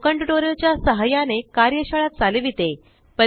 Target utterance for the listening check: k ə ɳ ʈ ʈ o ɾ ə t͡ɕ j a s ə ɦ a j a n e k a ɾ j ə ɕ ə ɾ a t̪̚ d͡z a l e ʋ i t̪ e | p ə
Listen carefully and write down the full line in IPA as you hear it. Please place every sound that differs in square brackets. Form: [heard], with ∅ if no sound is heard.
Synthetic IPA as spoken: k ə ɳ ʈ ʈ o ɾ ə t͡ɕ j a s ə ɦ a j a n e k a ɾ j ə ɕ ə [ɭ] a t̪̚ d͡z a l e ʋ i t̪ e | p ə